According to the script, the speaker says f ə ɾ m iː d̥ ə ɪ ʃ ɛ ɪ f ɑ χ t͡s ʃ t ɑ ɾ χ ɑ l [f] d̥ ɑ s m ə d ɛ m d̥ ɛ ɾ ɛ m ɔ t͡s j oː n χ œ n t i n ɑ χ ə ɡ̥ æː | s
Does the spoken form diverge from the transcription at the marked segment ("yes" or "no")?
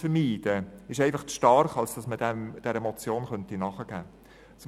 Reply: yes